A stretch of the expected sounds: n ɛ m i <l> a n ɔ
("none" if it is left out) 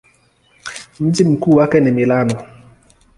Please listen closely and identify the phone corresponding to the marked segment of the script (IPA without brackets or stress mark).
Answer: l